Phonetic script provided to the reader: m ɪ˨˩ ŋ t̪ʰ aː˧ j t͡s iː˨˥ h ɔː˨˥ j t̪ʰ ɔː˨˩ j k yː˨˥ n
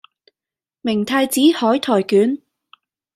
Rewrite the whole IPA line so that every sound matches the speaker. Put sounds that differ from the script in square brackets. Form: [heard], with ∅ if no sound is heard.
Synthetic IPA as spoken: m ɪ˨˩ ŋ t̪ʰ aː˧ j t͡s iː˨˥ h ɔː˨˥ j t̪ʰ ɔː˨˩ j k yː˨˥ n